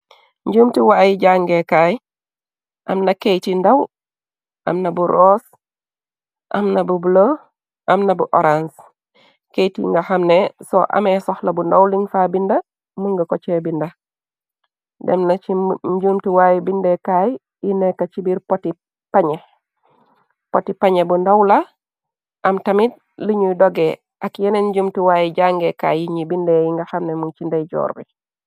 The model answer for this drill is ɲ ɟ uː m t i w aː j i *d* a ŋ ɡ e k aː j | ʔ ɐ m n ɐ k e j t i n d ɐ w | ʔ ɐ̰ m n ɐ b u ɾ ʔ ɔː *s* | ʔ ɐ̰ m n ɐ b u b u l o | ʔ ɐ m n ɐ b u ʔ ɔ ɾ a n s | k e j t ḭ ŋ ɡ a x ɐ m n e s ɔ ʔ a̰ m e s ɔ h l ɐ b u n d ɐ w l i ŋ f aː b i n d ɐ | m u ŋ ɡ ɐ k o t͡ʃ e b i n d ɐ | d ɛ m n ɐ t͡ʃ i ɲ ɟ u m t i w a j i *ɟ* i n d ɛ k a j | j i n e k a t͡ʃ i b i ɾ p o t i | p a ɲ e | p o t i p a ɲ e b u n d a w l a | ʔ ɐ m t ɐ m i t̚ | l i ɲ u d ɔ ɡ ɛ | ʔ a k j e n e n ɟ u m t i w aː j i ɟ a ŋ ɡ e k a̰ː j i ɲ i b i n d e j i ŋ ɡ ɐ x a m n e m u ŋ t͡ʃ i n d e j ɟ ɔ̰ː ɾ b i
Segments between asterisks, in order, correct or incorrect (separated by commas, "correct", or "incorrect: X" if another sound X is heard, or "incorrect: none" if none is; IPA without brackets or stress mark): incorrect: ɟ, correct, incorrect: b